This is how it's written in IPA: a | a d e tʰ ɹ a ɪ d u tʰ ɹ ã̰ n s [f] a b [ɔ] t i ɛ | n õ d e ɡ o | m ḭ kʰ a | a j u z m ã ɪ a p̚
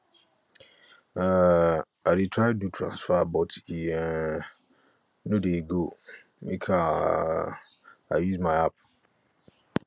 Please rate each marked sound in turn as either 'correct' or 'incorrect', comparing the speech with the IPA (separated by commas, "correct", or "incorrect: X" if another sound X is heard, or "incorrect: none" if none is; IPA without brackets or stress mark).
correct, correct